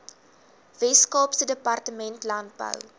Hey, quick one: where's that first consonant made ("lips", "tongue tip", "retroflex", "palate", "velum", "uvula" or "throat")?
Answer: lips